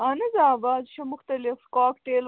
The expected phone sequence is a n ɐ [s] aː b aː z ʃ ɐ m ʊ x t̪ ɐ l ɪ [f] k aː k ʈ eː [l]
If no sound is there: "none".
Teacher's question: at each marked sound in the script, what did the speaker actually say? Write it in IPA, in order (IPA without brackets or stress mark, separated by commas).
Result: z, f, l